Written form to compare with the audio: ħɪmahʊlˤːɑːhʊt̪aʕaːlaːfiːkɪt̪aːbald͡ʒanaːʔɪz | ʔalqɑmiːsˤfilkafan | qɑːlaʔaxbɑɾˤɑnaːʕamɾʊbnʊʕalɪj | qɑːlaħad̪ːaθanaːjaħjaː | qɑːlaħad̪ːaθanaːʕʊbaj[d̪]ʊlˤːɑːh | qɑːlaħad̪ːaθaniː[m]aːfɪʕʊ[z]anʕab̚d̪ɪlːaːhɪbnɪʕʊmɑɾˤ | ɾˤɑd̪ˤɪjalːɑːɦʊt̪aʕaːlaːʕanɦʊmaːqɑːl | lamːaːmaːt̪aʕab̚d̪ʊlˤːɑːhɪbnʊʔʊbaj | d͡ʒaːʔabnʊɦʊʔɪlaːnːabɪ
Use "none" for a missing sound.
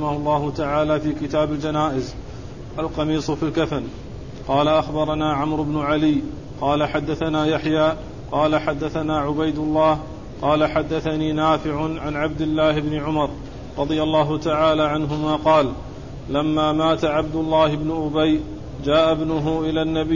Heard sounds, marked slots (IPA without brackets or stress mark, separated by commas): d̪, n, ʕ